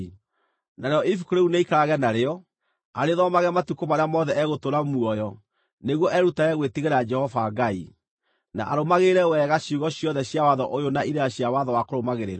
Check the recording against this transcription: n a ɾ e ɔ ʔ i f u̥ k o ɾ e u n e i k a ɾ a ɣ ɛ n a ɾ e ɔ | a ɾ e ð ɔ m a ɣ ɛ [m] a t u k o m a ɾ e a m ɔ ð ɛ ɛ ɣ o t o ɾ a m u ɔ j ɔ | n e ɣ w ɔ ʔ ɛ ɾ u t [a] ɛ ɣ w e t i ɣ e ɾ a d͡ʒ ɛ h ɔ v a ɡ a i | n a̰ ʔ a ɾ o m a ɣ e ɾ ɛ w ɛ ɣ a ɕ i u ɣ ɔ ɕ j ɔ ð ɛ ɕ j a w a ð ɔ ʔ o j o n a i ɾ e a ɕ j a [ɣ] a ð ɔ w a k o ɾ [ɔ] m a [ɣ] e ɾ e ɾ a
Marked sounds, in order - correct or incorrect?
correct, correct, incorrect, incorrect, correct

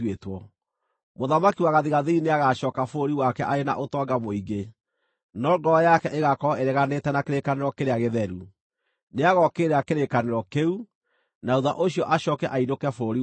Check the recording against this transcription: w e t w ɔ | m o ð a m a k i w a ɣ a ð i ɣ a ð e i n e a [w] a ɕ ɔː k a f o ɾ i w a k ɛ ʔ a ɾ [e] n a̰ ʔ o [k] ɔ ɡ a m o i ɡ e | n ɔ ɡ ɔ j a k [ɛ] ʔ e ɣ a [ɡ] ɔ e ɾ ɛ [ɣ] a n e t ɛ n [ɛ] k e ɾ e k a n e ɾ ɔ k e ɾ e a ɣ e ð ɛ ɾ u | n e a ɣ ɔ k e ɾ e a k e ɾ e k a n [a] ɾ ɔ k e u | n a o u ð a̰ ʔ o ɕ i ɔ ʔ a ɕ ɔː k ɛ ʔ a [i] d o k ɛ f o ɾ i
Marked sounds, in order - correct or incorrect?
incorrect, correct, incorrect, correct, incorrect, correct, incorrect, incorrect, correct

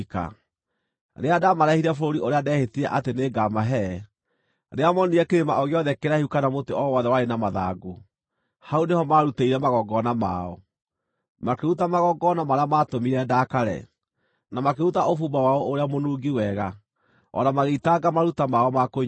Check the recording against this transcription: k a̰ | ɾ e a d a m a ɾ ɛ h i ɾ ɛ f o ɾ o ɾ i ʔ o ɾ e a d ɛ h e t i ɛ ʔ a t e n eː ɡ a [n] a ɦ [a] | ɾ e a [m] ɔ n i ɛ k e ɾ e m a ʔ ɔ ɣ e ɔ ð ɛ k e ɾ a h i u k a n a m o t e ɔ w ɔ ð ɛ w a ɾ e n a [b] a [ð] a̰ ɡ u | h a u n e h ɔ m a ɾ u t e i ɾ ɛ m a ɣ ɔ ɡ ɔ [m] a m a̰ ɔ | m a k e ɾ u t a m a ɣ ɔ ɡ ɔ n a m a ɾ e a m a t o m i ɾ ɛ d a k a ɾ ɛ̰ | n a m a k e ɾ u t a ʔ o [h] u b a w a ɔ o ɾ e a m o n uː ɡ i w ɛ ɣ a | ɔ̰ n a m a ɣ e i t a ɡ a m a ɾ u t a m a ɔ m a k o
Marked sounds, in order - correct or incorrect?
incorrect, incorrect, correct, incorrect, correct, incorrect, incorrect

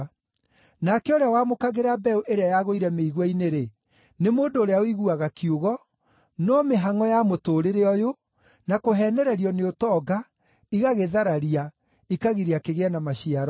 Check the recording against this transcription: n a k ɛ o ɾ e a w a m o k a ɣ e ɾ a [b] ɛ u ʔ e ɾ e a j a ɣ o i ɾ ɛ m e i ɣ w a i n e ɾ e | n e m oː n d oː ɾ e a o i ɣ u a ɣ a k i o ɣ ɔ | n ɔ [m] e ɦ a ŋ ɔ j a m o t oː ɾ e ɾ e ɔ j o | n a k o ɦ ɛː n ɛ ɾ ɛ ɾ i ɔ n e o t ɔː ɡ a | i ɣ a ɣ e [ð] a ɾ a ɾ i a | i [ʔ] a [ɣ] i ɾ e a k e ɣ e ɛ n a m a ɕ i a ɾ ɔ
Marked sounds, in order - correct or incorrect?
correct, correct, correct, incorrect, correct

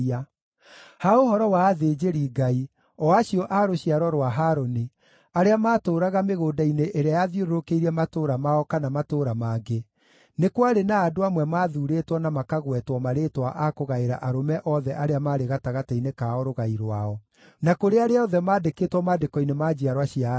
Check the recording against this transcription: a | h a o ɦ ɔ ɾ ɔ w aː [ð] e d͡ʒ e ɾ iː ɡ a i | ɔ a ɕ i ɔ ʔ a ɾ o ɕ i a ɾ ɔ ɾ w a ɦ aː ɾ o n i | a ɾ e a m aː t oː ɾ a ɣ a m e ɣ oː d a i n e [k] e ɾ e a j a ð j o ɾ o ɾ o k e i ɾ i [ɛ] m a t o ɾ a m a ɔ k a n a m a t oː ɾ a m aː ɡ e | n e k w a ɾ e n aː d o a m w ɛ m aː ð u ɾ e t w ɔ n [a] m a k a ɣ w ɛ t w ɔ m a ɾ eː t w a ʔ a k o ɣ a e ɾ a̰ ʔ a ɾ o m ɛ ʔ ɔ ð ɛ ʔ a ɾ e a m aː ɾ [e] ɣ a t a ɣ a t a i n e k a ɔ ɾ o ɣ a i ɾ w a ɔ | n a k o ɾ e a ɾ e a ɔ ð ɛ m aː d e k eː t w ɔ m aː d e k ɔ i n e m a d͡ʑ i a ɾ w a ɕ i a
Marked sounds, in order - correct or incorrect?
correct, incorrect, correct, correct, correct

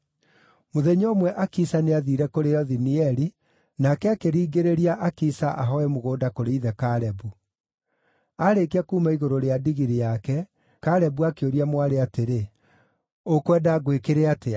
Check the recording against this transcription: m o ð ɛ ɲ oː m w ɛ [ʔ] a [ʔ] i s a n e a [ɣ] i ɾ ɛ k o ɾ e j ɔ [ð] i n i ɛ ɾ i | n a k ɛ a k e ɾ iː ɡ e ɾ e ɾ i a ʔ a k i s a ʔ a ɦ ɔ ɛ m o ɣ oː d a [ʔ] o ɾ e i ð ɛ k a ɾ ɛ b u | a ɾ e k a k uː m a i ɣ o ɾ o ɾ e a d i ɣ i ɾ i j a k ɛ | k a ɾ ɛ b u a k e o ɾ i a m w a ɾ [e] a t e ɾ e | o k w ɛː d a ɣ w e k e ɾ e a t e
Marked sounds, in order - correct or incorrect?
correct, incorrect, incorrect, correct, incorrect, correct

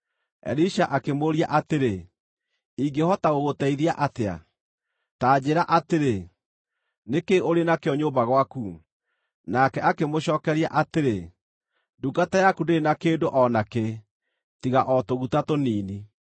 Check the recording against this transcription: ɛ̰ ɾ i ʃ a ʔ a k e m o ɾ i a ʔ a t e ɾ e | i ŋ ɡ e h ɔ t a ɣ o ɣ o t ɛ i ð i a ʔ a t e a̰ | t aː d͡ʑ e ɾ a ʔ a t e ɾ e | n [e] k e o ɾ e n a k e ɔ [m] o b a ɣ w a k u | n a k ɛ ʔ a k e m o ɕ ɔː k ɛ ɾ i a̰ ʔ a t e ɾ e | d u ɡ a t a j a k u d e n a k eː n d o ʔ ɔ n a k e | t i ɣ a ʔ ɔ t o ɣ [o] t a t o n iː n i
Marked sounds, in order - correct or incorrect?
correct, incorrect, incorrect

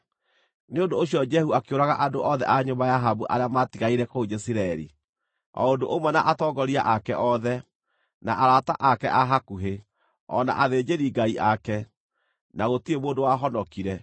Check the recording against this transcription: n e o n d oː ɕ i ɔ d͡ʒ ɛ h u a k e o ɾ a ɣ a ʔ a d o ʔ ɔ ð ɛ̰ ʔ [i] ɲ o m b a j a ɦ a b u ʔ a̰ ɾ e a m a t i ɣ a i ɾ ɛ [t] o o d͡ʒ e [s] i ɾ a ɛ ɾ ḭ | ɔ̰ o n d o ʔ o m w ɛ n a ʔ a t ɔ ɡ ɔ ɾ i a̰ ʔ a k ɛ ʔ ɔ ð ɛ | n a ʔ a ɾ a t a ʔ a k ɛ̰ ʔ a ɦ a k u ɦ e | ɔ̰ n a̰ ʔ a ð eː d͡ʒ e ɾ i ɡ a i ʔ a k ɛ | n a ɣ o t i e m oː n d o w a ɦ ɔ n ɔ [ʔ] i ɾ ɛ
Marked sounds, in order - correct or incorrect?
incorrect, incorrect, correct, incorrect

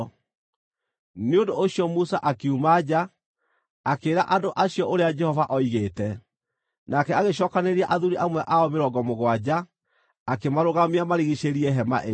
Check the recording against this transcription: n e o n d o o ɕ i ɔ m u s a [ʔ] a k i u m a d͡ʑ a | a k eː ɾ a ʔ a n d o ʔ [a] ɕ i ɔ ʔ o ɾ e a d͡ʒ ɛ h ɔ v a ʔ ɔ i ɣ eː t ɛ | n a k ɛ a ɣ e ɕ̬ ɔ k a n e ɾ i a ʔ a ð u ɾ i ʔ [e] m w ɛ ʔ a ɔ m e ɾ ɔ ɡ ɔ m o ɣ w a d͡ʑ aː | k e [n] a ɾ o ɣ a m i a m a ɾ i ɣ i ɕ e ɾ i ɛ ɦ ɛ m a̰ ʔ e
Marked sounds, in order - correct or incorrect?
correct, correct, incorrect, incorrect

